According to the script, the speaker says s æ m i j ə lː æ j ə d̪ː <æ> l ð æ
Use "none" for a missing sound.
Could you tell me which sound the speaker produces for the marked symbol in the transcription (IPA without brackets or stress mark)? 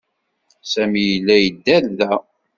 æ